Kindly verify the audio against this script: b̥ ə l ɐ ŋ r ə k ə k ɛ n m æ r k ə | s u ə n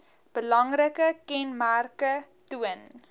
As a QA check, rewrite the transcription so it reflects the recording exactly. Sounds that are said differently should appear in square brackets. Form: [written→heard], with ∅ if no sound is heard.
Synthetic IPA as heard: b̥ ə l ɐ ŋ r ə k ə k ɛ n m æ r k ə | [s→t] u ə n